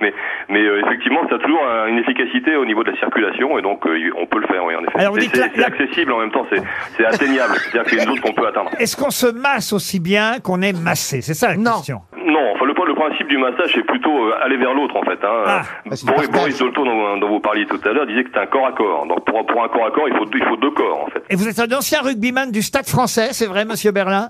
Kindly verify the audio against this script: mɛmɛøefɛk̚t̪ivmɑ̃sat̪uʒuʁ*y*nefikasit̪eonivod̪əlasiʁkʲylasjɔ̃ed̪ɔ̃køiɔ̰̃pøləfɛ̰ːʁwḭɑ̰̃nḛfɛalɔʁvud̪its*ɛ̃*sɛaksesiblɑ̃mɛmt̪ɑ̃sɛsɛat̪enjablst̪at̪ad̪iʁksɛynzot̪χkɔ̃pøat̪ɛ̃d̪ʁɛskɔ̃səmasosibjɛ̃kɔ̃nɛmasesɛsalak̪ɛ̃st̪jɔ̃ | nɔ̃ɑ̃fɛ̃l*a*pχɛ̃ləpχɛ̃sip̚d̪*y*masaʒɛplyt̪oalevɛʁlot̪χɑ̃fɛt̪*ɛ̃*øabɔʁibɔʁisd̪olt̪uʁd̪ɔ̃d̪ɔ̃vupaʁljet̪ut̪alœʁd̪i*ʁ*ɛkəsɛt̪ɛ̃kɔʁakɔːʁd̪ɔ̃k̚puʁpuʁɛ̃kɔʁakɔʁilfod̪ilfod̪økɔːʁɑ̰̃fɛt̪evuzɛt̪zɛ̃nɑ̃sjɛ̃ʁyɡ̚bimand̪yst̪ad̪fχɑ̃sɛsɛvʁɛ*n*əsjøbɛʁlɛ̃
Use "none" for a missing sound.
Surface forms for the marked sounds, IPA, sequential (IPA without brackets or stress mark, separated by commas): y, ɛ, ə, y, ɛ̃, z, m